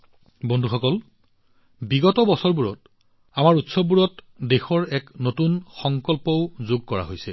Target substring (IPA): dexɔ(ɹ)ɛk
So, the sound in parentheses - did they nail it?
yes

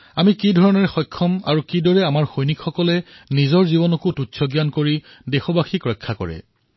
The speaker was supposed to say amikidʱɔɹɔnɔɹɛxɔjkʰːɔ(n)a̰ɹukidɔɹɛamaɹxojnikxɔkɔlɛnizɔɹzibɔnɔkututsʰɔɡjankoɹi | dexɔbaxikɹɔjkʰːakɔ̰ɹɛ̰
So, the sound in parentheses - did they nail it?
no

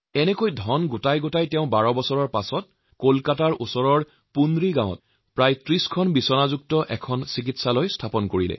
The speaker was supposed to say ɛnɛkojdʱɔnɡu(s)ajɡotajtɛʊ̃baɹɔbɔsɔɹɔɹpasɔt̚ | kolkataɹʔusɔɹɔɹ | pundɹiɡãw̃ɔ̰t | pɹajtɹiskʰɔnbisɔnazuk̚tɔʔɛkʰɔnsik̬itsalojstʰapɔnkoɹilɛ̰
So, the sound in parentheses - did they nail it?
no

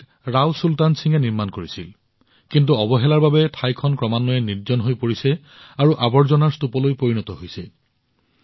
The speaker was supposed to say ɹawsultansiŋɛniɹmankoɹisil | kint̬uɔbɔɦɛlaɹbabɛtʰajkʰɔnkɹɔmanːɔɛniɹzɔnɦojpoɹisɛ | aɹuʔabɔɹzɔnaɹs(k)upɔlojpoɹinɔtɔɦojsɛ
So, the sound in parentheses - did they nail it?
no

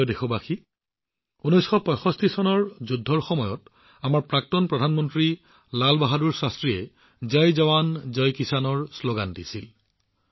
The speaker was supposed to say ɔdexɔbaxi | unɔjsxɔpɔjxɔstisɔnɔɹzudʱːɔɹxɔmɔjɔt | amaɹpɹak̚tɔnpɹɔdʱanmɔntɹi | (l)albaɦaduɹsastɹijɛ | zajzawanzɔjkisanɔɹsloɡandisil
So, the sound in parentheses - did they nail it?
yes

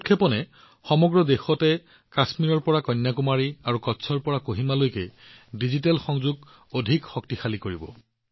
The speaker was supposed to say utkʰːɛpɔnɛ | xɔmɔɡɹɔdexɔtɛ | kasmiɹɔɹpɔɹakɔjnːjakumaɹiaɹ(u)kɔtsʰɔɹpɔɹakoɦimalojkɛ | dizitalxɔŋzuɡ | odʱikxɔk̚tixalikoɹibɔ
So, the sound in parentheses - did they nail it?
yes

